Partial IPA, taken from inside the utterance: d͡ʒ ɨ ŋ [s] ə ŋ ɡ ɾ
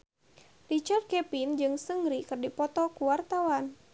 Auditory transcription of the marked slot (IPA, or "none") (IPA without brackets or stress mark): s